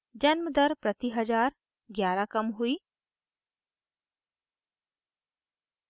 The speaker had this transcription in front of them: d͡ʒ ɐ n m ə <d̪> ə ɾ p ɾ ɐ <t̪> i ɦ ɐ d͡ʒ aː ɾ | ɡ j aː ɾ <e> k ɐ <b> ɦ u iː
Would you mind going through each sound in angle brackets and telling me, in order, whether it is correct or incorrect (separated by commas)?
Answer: correct, correct, incorrect, incorrect